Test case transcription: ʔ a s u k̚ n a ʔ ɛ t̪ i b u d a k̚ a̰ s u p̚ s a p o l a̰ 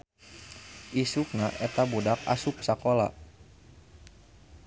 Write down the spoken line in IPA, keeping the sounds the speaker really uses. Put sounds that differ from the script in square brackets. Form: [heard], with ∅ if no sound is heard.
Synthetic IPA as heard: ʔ [i] s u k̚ n a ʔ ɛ t̪ [a] b u d a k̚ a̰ s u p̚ s a [k] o l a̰